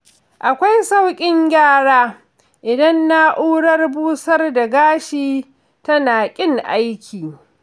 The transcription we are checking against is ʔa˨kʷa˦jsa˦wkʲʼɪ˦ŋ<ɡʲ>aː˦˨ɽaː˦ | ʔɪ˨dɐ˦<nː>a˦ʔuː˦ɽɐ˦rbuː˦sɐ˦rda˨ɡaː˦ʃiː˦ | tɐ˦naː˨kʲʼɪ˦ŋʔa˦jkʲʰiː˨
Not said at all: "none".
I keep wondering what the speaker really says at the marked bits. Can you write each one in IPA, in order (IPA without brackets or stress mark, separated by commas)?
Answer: ɡʲ, nː